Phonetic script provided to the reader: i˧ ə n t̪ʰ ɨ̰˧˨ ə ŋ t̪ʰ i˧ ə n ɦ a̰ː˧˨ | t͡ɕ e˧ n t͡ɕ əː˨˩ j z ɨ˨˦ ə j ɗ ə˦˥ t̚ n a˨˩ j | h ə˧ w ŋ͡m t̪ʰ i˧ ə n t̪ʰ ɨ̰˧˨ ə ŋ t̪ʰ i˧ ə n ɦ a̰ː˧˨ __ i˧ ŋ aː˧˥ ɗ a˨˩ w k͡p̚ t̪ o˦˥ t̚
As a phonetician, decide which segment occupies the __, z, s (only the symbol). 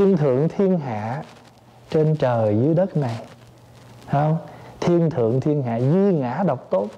z